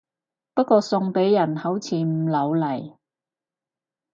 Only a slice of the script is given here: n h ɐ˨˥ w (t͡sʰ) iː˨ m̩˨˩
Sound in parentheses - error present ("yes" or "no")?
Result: no